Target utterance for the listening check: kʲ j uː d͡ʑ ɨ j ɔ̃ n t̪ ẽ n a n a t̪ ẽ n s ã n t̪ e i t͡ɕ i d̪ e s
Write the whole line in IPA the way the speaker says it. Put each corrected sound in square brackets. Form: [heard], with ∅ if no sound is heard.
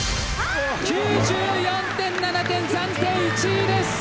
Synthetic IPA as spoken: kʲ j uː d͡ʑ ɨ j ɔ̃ n t̪ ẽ [nː] a n a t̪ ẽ n s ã n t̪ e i t͡ɕ i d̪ e s